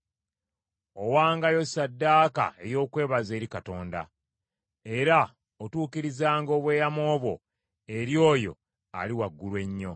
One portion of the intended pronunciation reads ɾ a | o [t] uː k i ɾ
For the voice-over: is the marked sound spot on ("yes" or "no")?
yes